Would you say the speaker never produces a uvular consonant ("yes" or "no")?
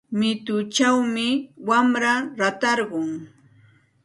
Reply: no